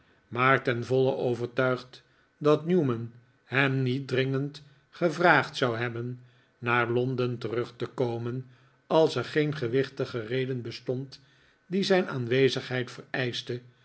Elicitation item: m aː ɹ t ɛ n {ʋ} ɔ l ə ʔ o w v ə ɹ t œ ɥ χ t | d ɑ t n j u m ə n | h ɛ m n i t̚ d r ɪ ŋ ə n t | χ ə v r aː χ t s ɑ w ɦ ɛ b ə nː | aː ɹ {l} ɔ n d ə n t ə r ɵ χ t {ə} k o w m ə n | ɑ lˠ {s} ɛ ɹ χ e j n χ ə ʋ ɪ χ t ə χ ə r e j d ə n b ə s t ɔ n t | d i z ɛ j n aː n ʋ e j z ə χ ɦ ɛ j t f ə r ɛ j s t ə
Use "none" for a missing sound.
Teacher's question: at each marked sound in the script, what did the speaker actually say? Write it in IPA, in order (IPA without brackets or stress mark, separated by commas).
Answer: v, l, ə, s